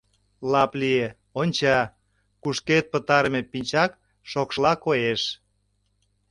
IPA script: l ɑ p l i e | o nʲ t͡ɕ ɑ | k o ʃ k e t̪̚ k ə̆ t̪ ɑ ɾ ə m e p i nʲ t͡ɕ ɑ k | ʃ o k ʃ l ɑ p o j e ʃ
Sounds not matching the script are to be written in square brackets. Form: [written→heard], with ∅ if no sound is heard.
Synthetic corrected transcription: l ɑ p l i e | o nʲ t͡ɕ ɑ | k [o→u] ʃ k e t̪̚ [k→p] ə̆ t̪ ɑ ɾ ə m e p i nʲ t͡ɕ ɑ k | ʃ o k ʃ l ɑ [p→k] o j e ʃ